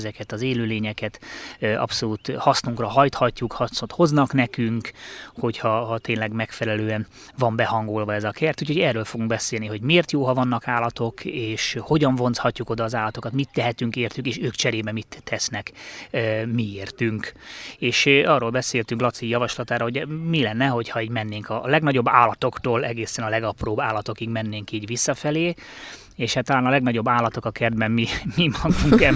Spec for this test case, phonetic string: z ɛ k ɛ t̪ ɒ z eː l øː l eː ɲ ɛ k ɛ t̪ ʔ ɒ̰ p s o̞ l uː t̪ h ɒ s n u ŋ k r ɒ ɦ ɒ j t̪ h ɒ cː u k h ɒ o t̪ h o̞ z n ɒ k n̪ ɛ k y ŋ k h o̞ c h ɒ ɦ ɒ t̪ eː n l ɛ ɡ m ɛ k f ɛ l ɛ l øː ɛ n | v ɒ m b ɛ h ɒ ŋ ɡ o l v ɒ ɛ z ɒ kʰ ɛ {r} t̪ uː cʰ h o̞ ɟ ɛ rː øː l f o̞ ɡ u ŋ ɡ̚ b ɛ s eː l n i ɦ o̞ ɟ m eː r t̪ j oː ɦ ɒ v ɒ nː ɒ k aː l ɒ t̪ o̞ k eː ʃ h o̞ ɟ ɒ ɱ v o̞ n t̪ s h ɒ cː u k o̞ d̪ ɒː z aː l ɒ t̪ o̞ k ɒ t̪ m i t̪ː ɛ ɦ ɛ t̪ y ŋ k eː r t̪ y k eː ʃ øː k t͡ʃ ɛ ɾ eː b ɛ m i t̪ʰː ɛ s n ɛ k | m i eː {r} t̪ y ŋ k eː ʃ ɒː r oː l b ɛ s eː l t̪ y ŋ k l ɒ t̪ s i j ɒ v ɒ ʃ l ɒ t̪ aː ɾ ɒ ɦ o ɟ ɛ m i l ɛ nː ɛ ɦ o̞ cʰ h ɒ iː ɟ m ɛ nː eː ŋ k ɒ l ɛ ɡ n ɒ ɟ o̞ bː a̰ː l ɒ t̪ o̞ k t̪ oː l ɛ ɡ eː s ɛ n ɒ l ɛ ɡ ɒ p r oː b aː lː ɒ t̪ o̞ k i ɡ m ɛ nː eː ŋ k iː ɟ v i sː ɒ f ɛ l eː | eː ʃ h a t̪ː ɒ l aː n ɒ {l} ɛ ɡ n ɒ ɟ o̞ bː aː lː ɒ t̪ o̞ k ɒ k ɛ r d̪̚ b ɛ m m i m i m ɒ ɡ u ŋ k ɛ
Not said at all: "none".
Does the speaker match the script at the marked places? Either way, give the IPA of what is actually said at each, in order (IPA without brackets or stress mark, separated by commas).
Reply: r, r, l